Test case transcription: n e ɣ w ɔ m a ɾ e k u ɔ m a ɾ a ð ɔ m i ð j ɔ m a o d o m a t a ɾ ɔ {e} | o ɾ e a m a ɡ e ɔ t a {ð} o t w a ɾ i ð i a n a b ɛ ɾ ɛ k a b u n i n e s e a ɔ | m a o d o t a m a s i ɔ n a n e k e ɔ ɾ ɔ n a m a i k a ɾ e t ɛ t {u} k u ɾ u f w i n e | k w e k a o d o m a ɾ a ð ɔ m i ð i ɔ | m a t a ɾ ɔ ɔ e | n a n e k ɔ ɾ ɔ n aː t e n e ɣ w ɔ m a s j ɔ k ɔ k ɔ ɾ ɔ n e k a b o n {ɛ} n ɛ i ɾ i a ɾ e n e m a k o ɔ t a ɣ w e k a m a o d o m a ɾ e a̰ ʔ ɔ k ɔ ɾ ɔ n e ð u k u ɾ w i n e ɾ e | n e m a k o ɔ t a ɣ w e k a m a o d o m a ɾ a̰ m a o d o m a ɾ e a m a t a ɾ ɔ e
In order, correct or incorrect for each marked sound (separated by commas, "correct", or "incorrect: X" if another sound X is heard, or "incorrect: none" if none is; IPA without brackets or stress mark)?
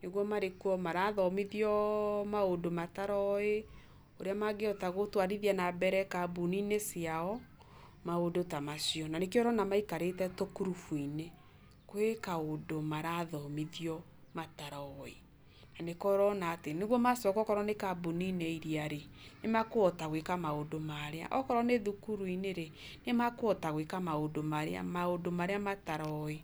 correct, incorrect: ɣ, incorrect: o, incorrect: i